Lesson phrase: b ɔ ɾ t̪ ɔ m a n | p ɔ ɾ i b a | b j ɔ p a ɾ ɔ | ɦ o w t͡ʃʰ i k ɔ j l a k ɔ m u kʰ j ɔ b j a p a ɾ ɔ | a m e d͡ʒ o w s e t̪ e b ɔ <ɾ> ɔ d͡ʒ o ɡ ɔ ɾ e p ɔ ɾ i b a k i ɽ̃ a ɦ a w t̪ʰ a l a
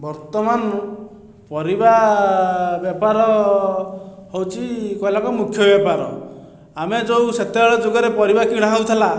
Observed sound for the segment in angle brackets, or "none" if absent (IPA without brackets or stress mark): ɭ